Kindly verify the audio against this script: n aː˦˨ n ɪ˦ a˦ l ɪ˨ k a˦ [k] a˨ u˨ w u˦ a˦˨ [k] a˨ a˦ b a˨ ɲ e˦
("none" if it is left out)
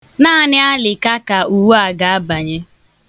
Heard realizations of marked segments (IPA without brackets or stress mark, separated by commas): k, ɡ